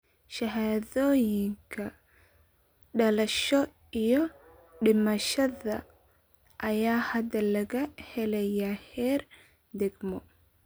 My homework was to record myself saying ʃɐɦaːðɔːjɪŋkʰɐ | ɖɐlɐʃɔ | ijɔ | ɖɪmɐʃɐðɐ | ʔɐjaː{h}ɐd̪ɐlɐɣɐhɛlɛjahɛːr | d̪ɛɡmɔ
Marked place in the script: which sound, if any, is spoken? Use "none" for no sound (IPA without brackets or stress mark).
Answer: h